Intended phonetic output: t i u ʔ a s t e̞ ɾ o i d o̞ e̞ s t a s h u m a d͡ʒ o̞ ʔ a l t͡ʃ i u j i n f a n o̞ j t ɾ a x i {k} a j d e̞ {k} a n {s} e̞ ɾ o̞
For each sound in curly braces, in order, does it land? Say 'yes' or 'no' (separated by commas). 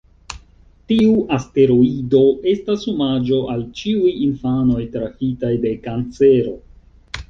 no, yes, no